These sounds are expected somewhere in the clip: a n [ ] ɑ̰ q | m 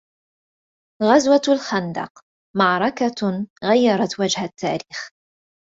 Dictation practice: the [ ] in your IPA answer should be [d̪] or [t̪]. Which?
d̪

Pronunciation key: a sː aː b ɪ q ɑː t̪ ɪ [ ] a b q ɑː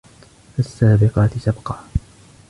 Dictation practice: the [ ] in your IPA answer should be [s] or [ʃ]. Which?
s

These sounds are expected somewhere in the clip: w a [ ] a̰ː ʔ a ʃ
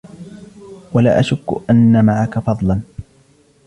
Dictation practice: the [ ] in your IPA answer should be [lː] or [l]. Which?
l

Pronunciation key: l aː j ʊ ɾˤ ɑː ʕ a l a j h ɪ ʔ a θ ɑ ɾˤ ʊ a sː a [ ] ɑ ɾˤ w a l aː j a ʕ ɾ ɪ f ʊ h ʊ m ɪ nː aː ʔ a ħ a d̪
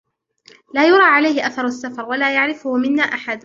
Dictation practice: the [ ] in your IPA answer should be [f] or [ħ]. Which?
f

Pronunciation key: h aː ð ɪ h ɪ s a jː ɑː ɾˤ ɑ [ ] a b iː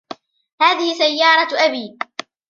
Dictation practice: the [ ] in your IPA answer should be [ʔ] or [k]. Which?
ʔ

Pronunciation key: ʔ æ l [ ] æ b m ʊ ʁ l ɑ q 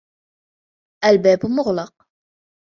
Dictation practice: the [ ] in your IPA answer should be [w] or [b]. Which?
b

